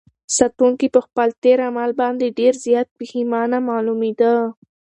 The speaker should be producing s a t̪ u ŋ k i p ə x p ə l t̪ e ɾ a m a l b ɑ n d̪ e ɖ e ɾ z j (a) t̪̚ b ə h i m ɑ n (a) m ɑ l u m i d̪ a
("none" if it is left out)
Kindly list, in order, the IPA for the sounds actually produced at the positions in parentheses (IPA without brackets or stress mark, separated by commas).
ɑ, a